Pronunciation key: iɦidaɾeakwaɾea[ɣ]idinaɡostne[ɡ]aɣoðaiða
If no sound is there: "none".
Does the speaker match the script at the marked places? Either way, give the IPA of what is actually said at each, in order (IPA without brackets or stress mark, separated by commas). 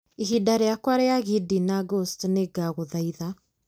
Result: ɣ, ɡ